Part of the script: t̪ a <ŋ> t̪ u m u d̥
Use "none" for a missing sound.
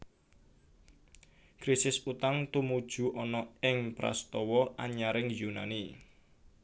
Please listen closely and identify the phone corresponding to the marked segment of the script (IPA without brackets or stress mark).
ŋ